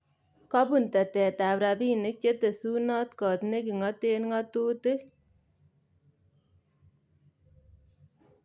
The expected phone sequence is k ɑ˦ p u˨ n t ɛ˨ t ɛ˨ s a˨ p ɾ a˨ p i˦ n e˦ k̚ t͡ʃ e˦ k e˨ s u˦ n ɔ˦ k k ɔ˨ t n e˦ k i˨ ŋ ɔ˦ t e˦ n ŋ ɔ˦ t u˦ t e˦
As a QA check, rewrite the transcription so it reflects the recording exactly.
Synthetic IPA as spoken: k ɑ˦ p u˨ n t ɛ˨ t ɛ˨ t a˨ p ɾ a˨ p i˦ n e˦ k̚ t͡ʃ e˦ t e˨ s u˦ n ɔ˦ t k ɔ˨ t n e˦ k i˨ ŋ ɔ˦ t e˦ n ŋ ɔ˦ t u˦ t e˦